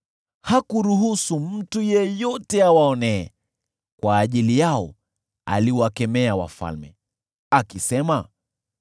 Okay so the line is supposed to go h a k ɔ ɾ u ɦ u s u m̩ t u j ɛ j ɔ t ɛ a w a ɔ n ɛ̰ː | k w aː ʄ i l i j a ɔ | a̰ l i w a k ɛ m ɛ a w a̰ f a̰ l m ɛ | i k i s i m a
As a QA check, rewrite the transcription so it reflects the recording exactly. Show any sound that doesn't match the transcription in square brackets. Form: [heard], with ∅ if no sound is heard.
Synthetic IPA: h a k [u] ɾ u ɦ u s u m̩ t u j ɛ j ɔ t ɛ a w a ɔ n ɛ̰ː | k w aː ʄ i l i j a ɔ | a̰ l i w a k ɛ m ɛ a w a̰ f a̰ l m ɛ | [a] k i s [ɛ] m a